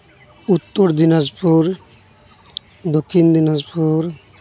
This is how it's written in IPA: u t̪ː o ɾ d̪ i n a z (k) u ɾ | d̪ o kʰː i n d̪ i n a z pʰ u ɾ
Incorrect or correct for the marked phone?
incorrect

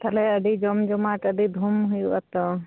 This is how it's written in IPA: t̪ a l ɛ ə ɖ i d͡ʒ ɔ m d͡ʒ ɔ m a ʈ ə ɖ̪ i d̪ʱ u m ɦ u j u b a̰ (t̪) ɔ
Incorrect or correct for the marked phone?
correct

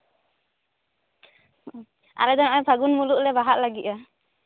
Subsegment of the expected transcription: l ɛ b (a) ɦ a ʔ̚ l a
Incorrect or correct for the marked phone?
correct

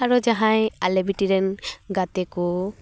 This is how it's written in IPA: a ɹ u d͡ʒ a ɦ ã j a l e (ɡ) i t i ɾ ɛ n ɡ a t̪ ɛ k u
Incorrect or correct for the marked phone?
incorrect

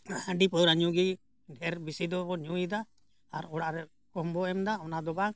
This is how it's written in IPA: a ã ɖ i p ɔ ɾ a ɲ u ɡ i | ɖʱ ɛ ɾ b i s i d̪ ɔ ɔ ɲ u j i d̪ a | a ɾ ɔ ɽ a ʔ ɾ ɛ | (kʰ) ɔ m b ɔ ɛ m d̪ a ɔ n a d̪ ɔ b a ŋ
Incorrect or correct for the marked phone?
incorrect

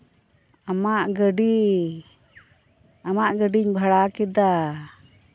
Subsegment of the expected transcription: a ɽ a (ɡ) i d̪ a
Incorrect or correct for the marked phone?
incorrect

